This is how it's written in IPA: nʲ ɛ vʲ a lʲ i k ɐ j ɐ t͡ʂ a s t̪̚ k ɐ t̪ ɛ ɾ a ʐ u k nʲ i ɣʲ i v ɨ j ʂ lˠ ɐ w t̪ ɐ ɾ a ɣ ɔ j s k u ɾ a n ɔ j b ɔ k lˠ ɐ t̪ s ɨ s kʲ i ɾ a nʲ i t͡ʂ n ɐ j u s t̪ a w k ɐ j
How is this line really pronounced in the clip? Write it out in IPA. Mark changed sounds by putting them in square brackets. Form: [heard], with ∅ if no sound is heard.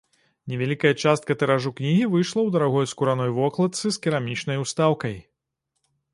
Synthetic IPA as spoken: nʲ ɛ vʲ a lʲ i k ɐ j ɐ t͡ʂ a s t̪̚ k ɐ t̪ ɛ ɾ a ʐ u k nʲ i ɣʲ i v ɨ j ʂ lˠ ɐ w [d̪] ɐ ɾ a ɣ ɔ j s k u ɾ a n ɔ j [v] ɔ k lˠ ɐ t̪ s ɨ s kʲ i ɾ a [mʲ] i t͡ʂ n ɐ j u s t̪ a w k ɐ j